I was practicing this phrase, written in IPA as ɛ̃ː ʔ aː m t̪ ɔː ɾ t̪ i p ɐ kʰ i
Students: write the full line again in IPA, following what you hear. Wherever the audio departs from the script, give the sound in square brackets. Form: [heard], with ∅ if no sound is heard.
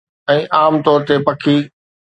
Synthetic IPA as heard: ɛ̃ː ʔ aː m t̪ ɔː ɾ t̪ [e] p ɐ kʰ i